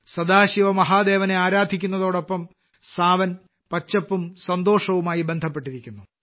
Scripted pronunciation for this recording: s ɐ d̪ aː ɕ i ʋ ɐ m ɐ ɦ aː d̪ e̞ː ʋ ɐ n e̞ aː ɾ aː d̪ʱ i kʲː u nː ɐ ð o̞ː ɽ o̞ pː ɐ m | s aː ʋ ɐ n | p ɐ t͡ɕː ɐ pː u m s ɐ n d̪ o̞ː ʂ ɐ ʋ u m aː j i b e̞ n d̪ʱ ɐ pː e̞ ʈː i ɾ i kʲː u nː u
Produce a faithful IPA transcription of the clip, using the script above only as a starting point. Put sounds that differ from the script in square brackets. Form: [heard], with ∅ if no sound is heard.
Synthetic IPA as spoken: s ɐ d̪ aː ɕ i ʋ ɐ m ɐ ɦ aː d̪ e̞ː ʋ ɐ n e̞ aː ɾ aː d̪ʱ i kʲː u nː ɐ ð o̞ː ɽ o̞ pː ɐ m | s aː ʋ ɐ n | p ɐ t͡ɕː ɐ pː u m s ɐ n d̪ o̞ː ʂ ɐ ʋ u m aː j i b e̞ n d̪ʱ ɐ pː e̞ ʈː i ɾ i kʲː u nː u

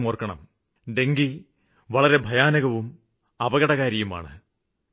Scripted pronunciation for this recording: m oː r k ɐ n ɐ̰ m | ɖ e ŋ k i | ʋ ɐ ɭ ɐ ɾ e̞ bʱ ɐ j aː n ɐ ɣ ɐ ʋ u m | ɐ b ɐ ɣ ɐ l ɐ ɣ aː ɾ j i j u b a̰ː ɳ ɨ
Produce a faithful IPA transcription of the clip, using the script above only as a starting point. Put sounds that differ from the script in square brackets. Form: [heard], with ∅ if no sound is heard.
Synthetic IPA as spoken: m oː r k ɐ [ɳ] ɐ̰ m | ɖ e ŋ [ɡ] i | ʋ ɐ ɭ ɐ ɾ e̞ bʱ ɐ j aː n ɐ ɣ ɐ ʋ u m | ɐ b ɐ ɣ ɐ [ɽ] ɐ ɣ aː ɾ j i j u [m] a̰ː ɳ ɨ

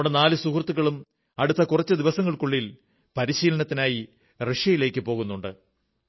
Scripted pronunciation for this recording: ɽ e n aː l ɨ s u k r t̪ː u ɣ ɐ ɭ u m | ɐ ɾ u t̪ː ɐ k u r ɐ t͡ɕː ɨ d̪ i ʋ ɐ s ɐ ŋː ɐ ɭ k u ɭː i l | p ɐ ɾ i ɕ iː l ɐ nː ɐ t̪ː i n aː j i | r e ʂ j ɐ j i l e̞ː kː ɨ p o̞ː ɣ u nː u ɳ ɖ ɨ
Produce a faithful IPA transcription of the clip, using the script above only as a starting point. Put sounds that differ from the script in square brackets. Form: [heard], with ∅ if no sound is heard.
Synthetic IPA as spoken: ɽ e n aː l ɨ s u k r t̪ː u ɣ ɐ ɭ u m | ɐ [ɽ] u t̪ː ɐ k u r ɐ t͡ɕː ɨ d̪ i ʋ ɐ s ɐ ŋː ɐ ɭ k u ɭː i l | p ɐ ɾ i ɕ iː l ɐ [n] ɐ t̪ː i n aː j i | r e ʂ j ɐ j i l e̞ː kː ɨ p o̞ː ɣ u nː u ɳ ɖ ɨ

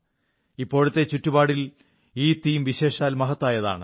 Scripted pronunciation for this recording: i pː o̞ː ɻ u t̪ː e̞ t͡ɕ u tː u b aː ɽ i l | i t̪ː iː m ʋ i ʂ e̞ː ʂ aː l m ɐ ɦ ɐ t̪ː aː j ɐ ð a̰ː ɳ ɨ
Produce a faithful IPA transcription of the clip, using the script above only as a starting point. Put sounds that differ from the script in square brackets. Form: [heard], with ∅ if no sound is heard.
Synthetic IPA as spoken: i pː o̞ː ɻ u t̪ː e̞ t͡ɕ u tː u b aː ɽ i l | [iː] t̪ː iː m ʋ i [ɕ] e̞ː ʂ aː l m ɐ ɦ ɐ t̪ː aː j ɐ ð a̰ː ɳ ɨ

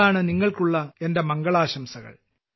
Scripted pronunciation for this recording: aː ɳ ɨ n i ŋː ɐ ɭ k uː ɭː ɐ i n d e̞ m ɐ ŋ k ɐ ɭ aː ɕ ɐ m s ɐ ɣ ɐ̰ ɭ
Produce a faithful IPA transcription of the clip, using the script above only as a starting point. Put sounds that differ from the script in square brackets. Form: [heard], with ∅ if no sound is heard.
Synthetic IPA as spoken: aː ɳ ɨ n i ŋː ɐ ɭ k [u] ɭː ɐ [e] n d e̞ m ɐ ŋ [ɡ] ɐ ɭ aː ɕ ɐ m s ɐ ɣ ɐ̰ ɭ

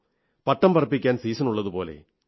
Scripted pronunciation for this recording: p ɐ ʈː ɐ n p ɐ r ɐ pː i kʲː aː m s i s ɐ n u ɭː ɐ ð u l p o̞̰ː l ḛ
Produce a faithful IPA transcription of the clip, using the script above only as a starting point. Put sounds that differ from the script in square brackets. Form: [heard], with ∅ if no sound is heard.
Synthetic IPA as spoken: p ɐ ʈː ɐ [m] p ɐ r ɐ pː i kʲː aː [n] s [iː] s ɐ n u ɭː ɐ ð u [∅] p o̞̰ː l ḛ

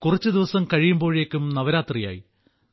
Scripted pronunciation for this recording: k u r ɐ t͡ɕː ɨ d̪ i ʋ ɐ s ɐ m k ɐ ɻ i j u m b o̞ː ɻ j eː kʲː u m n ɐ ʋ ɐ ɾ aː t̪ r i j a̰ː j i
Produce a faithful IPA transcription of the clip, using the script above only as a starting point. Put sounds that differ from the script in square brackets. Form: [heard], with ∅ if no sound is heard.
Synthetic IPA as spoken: k u r ɐ t͡ɕː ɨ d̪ i ʋ ɐ s ɐ m k ɐ ɻ i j u m b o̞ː ɻ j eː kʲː u m n ɐ ʋ ɐ ɾ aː t̪ r i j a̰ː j i

